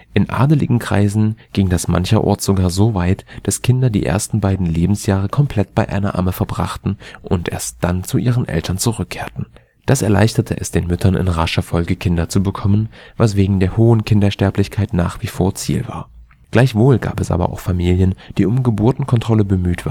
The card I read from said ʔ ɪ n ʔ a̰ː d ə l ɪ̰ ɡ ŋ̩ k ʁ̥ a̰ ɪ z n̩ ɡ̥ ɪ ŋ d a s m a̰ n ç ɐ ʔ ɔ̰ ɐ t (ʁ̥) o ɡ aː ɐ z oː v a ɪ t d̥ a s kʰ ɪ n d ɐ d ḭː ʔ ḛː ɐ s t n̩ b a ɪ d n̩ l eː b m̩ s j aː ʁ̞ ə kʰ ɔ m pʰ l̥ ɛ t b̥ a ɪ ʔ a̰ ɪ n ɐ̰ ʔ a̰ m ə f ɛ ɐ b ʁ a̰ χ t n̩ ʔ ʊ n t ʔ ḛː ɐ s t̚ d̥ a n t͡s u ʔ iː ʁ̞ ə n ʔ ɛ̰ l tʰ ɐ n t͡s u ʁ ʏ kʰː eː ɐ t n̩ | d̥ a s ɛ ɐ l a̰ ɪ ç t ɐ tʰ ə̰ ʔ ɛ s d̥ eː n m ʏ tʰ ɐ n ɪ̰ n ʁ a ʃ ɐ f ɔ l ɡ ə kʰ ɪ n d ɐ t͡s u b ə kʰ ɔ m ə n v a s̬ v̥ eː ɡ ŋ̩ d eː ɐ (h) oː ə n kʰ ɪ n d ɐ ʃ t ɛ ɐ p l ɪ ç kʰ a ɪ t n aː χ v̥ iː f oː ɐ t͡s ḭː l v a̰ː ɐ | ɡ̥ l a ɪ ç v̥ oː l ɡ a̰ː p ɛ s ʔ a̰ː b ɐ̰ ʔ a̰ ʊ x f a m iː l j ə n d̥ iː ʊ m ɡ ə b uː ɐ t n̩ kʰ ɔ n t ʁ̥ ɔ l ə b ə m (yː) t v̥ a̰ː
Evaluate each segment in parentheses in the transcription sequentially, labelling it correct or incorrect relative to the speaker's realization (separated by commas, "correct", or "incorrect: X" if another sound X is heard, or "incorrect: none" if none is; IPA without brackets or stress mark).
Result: incorrect: z̥, correct, correct